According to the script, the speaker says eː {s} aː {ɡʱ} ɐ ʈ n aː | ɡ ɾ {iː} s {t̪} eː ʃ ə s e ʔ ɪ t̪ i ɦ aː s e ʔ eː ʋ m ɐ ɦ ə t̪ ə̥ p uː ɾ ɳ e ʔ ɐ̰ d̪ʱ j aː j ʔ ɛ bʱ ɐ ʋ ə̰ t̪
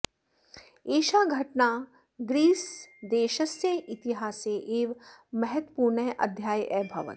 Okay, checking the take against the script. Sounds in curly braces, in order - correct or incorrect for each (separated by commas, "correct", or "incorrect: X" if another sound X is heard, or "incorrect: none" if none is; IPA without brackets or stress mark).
incorrect: ʃ, correct, correct, incorrect: d̪